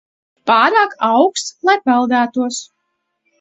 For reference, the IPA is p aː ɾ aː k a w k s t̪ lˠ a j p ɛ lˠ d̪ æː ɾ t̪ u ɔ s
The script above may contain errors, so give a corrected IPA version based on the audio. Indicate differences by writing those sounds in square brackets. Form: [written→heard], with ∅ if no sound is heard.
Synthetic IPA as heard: p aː ɾ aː k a w k s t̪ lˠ a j p ɛ lˠ d̪ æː [ɾ→∅] t̪ u ɔ s